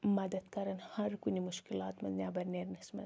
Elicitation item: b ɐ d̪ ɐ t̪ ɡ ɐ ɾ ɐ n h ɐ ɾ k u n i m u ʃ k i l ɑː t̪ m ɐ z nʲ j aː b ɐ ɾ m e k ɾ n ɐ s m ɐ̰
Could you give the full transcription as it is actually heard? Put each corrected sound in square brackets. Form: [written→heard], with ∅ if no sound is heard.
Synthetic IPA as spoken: [b→m] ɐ d̪ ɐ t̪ [ɡ→k] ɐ ɾ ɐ n h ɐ ɾ k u n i m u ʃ k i l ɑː t̪ m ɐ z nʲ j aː b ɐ ɾ [m→n] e [k→∅] ɾ n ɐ s m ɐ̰